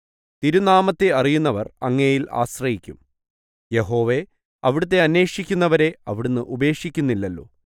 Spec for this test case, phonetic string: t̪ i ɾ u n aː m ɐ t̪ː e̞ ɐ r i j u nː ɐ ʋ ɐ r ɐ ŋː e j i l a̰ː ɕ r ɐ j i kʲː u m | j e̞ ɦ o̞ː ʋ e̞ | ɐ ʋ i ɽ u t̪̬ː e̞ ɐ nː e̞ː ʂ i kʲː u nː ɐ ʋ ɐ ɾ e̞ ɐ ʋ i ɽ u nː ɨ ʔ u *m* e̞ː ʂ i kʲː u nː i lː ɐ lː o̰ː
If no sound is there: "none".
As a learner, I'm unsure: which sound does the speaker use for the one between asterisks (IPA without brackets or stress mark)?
b